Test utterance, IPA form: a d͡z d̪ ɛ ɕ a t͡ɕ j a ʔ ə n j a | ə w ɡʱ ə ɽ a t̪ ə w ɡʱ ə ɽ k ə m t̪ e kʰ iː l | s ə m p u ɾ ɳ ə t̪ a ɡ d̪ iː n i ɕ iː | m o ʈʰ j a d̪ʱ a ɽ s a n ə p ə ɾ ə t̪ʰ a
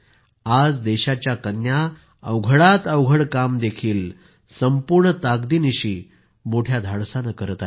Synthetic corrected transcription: a d͡z d̪ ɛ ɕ a t͡ɕ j a k ə n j a | ə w ɡʱ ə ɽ a t̪ ə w ɡʱ ə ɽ k a m d̪ e kʰ iː l | s ə m p u ɾ ɳ ə t̪ a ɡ d̪ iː n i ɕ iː | m o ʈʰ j a d̪ʱ a ɽ s a n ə k ə ɾ ə t̪ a